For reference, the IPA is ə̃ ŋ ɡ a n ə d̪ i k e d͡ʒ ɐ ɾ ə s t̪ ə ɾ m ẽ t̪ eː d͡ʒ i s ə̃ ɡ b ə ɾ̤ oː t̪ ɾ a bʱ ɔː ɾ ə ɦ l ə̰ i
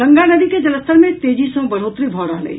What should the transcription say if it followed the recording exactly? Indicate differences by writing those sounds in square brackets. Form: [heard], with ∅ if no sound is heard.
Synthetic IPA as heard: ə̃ ŋ ɡ a n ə d̪ i k e d͡ʒ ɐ [l] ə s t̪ ə ɾ m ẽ t̪ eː d͡ʒ i s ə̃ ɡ b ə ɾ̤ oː t̪ ɾ [i] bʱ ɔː ɾ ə ɦ l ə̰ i